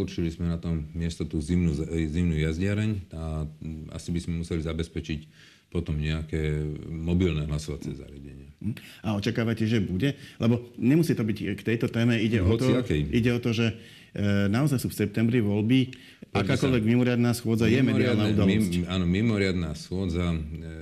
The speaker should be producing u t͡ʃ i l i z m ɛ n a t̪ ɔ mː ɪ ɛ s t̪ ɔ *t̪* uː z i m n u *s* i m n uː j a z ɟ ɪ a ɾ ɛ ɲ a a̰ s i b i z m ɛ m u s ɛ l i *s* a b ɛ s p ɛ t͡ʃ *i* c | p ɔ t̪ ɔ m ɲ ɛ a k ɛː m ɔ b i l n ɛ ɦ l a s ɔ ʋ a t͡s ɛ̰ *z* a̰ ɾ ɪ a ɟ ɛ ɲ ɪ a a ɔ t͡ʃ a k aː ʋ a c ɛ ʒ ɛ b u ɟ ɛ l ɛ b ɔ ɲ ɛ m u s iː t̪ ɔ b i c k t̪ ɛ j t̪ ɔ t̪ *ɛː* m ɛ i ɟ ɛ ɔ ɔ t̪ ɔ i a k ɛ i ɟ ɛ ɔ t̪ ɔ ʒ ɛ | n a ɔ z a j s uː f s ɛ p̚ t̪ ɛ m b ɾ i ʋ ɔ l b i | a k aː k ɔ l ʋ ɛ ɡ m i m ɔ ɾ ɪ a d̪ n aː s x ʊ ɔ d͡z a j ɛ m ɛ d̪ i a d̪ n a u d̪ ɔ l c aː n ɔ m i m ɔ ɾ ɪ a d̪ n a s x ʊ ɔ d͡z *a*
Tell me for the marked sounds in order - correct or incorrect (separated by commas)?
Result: correct, incorrect, incorrect, correct, correct, correct, correct